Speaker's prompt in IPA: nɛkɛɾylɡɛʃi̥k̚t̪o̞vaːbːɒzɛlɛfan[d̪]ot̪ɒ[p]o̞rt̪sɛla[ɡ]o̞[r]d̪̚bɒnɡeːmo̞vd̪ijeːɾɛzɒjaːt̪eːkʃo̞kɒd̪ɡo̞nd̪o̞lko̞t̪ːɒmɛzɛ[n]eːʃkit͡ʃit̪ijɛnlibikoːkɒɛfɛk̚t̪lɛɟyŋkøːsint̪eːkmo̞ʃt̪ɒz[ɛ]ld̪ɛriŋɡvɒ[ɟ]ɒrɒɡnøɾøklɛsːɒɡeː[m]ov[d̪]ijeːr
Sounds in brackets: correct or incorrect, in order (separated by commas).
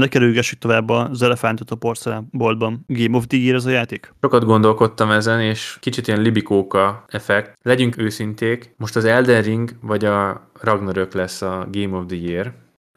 incorrect, correct, incorrect, incorrect, correct, correct, correct, correct, correct